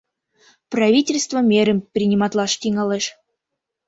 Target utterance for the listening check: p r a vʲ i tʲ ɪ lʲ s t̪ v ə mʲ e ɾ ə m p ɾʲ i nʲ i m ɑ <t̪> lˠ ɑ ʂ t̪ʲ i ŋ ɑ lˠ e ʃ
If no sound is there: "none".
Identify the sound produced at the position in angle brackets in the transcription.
t̪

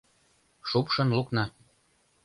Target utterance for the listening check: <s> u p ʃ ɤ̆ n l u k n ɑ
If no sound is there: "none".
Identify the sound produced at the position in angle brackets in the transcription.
ʃ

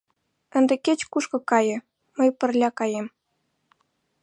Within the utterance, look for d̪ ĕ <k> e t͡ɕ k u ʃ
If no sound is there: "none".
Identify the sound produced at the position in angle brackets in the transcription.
k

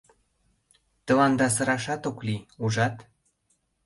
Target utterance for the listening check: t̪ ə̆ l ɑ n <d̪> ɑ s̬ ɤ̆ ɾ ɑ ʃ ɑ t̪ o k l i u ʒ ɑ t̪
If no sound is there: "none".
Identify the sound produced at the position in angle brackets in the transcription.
d̪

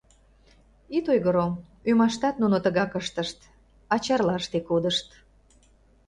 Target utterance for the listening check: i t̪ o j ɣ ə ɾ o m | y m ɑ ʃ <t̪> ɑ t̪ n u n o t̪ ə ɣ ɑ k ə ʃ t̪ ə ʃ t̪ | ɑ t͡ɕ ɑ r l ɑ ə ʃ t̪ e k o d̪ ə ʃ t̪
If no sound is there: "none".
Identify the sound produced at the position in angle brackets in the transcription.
t̪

